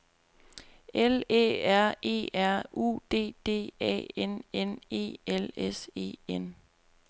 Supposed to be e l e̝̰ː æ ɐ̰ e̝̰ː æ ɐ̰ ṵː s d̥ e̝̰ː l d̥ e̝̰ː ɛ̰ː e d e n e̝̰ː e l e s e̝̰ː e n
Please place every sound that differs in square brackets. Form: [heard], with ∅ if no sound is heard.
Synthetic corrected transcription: e l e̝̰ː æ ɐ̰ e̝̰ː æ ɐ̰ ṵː [∅] d̥ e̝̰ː [∅] d̥ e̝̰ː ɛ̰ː e [n] e n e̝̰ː e l e s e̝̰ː e n